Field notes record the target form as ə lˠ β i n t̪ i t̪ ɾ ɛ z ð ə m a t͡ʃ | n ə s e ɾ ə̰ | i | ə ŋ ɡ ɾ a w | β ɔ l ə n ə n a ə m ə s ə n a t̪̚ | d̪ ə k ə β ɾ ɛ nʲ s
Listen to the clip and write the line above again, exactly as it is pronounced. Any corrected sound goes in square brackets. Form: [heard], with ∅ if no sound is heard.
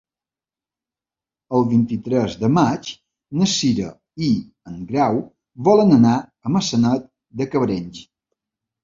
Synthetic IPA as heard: ə lˠ β i n t̪ i t̪ ɾ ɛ z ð ə m a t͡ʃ | n ə s [i] ɾ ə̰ | i | ə ŋ ɡ ɾ a w | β ɔ l ə n ə n a ə m ə s ə n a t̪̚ | d̪ ə k ə β ɾ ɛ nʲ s